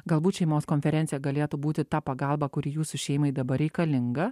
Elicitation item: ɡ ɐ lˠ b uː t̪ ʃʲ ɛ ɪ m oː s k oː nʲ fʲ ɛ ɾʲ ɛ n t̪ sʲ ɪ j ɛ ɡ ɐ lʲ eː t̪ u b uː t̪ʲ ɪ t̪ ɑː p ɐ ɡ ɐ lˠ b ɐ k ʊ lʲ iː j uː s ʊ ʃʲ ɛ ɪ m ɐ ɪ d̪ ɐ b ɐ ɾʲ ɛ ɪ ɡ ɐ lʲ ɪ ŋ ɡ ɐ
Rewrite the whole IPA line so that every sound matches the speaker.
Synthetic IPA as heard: ɡ ɐ lˠ b uː t̪ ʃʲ ɛ ɪ m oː s k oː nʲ fʲ ɛ ɾʲ ɛ n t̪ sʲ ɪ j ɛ ɡ ɐ lʲ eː t̪ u b uː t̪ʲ ɪ t̪ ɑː p ɐ ɡ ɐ lˠ b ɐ k ʊ ɾʲ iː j uː s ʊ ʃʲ ɛ ɪ m ɐ ɪ d̪ ɐ b ɐ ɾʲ ɛ ɪ k ɐ lʲ ɪ ŋ ɡ ɐ